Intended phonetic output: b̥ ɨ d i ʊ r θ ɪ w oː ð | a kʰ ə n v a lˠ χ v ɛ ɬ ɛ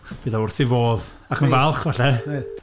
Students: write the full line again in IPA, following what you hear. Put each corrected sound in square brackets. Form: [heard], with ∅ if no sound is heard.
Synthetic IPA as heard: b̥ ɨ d [a] ʊ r θ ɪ [v] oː ð | a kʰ ə n v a lˠ χ v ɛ ɬ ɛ